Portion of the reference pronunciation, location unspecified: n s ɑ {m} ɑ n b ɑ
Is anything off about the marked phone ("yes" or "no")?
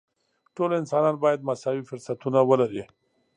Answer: yes